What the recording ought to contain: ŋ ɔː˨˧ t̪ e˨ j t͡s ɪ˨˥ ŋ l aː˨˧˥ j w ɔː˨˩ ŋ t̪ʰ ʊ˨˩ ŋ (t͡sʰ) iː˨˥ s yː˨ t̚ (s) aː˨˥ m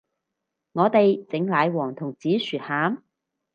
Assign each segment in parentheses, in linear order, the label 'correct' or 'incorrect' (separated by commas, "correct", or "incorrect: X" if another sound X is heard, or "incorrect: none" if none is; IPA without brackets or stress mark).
incorrect: t͡s, incorrect: h